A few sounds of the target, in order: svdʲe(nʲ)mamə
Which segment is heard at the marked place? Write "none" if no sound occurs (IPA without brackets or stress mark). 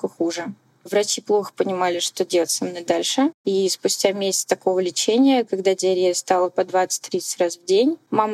nʲ